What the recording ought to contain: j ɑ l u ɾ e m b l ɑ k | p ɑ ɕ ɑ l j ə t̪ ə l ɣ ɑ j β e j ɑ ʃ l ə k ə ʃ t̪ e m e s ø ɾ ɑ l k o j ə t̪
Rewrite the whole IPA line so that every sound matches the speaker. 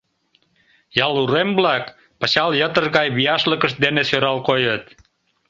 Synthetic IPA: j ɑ l u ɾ e m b l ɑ k | p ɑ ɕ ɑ l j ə t̪ ə r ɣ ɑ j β i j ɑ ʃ l ə k ə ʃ d̪ e n e s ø ɾ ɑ l k o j ə t̪